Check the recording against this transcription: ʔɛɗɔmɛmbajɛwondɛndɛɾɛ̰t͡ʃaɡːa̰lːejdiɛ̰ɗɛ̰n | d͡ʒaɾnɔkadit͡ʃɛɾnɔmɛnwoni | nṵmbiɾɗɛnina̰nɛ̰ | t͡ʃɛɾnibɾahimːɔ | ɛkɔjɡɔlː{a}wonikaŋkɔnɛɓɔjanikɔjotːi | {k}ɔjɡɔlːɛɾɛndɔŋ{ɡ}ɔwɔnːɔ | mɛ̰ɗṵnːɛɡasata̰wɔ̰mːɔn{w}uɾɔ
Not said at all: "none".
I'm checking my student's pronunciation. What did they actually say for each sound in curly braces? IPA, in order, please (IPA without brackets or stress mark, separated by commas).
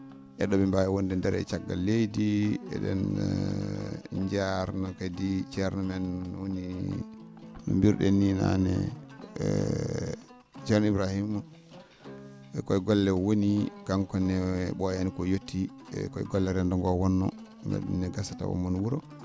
ɛ, k, ɡ, w